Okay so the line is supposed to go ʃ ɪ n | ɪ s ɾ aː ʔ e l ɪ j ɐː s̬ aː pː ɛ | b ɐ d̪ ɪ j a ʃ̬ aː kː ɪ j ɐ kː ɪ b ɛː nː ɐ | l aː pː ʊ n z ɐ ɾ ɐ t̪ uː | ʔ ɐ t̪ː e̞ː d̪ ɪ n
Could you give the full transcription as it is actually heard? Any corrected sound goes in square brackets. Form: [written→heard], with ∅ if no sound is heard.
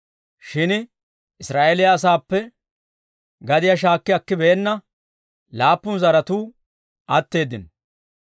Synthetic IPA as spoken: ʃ ɪ n | ɪ s ɾ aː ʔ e l ɪ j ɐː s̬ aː pː ɛ | [b→ɡ] ɐ d̪ ɪ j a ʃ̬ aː kː ɪ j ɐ kː ɪ b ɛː nː ɐ | l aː pː ʊ n z ɐ ɾ ɐ t̪ uː | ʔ ɐ t̪ː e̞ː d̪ ɪ n